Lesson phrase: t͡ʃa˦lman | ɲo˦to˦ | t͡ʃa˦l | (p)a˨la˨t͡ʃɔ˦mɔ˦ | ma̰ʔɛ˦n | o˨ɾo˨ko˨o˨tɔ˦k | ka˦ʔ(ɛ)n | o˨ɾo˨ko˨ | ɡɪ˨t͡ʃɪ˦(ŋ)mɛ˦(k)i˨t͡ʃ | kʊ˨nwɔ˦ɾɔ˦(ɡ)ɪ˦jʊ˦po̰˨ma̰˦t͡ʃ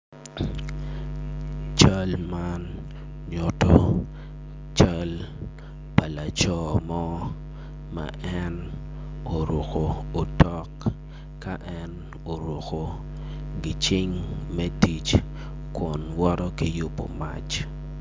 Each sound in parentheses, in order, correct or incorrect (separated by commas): correct, correct, correct, incorrect, incorrect